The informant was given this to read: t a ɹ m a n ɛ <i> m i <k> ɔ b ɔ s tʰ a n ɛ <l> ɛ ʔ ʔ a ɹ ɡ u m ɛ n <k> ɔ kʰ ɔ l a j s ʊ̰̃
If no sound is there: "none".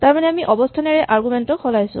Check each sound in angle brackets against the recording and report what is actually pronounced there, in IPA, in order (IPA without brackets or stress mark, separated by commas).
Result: a, ʔ, ɹ, t